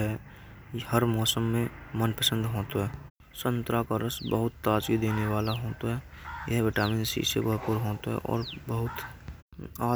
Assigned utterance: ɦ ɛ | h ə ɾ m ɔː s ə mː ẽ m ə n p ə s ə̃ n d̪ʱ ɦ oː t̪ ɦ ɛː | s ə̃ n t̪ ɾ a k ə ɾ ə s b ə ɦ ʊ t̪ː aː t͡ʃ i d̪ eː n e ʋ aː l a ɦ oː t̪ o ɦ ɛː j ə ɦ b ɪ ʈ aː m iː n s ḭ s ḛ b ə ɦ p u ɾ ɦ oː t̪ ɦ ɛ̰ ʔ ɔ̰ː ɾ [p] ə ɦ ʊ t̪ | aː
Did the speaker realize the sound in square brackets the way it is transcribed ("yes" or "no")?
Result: no